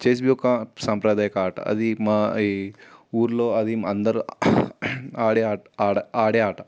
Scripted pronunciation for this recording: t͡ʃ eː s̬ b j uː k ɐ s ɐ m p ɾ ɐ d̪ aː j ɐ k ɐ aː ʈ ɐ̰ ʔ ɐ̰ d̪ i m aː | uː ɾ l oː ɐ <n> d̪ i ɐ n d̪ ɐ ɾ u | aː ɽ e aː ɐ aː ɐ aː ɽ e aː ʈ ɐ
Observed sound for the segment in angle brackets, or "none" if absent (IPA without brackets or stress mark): none